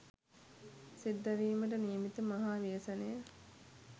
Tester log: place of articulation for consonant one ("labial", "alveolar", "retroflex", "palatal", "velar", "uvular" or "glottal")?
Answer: alveolar